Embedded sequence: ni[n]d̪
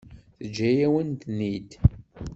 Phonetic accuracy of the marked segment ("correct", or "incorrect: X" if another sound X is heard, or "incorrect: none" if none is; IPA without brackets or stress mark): incorrect: none